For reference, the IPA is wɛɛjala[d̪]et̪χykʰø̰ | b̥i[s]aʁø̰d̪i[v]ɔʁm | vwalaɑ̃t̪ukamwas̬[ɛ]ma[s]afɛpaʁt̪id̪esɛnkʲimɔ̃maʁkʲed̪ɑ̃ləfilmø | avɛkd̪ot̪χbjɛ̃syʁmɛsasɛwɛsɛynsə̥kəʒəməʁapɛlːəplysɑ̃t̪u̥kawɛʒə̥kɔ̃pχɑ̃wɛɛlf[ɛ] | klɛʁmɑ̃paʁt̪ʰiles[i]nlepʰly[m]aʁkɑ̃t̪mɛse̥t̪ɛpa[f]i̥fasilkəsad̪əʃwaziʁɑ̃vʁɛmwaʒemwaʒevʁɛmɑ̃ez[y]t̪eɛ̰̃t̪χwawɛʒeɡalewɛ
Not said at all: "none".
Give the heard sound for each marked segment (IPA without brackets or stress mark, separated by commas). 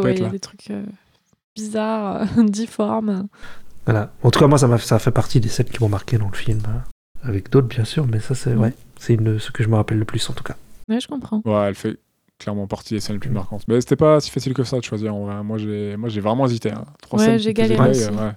d̪, z, f, a, s, ɛ, ɛ, m, s, i